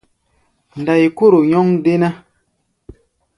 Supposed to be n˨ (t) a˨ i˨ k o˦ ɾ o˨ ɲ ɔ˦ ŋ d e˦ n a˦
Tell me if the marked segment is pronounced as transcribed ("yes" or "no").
no